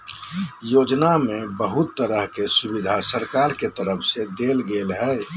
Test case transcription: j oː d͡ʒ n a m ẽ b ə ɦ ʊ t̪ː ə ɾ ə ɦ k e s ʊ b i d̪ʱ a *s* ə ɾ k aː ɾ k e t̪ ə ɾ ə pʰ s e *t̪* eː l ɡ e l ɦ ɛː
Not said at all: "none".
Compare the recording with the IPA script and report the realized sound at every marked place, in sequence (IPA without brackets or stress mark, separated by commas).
s, d̪